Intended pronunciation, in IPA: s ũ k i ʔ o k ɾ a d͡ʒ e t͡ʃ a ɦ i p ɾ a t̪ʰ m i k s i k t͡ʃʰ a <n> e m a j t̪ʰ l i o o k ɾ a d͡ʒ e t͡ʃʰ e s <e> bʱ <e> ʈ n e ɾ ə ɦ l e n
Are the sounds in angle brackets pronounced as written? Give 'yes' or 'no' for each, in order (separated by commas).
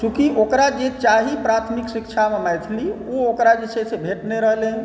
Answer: no, yes, yes